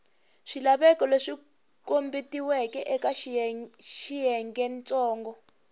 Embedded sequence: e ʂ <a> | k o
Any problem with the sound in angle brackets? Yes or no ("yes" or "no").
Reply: yes